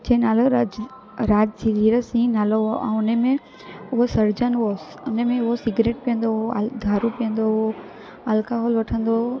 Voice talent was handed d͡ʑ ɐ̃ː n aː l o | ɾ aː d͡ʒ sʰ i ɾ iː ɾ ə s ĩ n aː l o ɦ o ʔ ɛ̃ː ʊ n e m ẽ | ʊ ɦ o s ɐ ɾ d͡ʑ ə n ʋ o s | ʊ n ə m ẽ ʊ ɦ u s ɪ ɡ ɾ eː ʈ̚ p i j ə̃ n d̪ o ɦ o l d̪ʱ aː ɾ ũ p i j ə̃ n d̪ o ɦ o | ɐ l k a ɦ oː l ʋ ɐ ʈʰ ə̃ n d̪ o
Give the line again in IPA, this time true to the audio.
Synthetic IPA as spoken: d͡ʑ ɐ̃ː n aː l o | ɾ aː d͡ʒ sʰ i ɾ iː ɾ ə s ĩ n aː l o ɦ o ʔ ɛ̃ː ʊ n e m ẽ | ʊ ɦ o s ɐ ɾ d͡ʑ ə n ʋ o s | ʊ n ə m ẽ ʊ ɦ o s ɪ ɡ ɾ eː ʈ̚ p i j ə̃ n d̪ o ɦ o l d̪ʱ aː ɾ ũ p i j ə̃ n d̪ o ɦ o | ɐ l k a ɦ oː l ʋ ɐ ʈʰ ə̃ n d̪ o